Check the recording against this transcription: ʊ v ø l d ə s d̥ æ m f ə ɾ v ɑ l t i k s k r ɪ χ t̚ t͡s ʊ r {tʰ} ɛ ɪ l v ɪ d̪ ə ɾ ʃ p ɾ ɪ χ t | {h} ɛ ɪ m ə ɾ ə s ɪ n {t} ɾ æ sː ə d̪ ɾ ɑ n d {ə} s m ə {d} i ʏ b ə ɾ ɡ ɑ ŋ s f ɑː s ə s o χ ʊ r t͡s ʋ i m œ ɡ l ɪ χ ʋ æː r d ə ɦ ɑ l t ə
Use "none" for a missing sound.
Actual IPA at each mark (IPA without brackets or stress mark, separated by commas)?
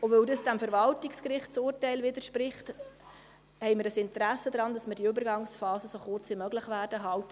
t, h, t, ɑ, d